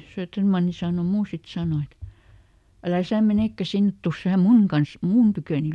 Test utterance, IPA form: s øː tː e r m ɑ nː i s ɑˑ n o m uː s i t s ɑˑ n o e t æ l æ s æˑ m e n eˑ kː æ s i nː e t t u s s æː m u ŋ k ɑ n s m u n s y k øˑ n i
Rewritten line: s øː tː e r m ɑ nː i s ɑˑ n o m uː s i t s ɑˑ n o e t æ l æ s æˑ m e n eˑ kː æ s i nː e t t u s s æː m u ŋ k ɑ n s m u n t y k øˑ n i

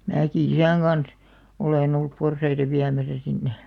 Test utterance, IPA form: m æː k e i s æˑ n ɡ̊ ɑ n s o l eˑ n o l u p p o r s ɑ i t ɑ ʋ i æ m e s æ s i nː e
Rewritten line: m æː k i i s æˑ ŋ ɡ̊ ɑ n s o l eˑ n o lː u p p o r s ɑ i t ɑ ʋ i æ m æ s æ s i nː e

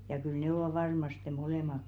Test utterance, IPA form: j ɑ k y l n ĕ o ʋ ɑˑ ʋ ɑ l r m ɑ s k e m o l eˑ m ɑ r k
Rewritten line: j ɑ k y l n ĕ o ʋ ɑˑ ʋ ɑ r m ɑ s t e m o l eˑ m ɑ k

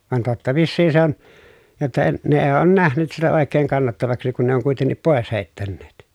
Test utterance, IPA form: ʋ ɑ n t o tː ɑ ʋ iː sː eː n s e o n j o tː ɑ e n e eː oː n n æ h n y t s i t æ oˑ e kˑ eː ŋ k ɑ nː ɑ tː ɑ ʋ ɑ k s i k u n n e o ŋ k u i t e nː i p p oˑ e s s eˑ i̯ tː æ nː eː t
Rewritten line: ʋ ɑ n t o tː ɑ ʋ iː sː iː n s e o n j o tː ɑ e n e eː oː n n æ h n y t s i t æ oˑ e kˑ eː ŋ k ɑ nː ɑ tː ɑ ʋ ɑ k s i k u n n e o ŋ k u i t e nː i p p oˑ e s h eˑ i̯ tː æ nː eː t

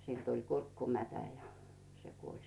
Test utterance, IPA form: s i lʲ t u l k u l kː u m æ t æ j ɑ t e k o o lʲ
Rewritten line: s i lʲ t u l k u r kː u m æ t æ j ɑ s e k u o lʲ

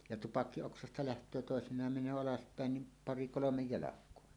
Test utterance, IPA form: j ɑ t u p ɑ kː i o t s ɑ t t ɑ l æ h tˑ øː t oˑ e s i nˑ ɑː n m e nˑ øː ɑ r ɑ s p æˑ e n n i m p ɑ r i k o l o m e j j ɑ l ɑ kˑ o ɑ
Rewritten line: j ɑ t u p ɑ kː i o k s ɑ s t ɑ l æ h tˑ øː t oˑ e s i nˑ ɑː m m e nˑ øː ɑ l ɑ s p æˑ e n n i m p ɑ r i k o l o m e j j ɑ l ɑ kˑ o ɑ

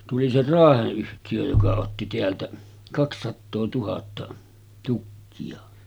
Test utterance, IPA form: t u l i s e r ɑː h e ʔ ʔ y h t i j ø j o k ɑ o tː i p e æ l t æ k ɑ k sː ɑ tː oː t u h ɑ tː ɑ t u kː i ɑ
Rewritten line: t u l i s e r ɑː h e ʔ ʔ y h t i j ø j o k ɑ o tː i t e æ l t æ k ɑ k sː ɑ tː oː t u h ɑ tː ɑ t u kː i ɑ

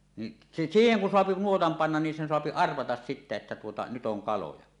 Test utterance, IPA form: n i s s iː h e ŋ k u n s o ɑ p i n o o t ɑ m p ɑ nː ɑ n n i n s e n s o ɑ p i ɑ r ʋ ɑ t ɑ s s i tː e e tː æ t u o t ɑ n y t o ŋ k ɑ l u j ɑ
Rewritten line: n i s s iː h e ŋ k u n s o ɑ p i n u o t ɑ m p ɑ nː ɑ n n i n s e n s o ɑ p i ɑ r ʋ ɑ t ɑ s s i tː e e tː æ t u o t ɑ n y t o ŋ k ɑ l o j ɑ

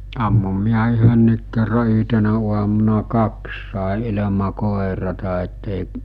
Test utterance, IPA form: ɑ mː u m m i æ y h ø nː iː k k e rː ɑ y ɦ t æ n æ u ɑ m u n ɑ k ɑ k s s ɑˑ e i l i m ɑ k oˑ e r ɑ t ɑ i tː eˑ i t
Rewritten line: ɑ mː u m m i æ y h ø nː iː k k e rː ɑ y ɦ t e n æ u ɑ m u n ɑ k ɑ k s s ɑˑ e i l e m ɑ k oˑ e r ɑ t ɑ e tː eˑ i ʔ

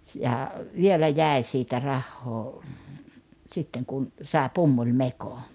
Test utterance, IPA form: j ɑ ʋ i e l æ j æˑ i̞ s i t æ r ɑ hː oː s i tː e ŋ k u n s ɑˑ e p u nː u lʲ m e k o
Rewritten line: j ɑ ʋ i e l æ j æˑ i̞ s iː t æ r ɑ hː oː s i tː e ŋ k u n s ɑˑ e p u mː u lʲ m e k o

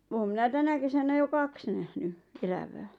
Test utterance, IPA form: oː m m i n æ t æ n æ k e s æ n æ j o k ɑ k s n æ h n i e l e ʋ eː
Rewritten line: oː m m i n æ t æ n æ k e s æ n æ j o k ɑ k s n æ h n y e l æ ʋ æː

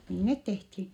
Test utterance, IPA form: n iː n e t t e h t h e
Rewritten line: n iː n e t t e h t h i

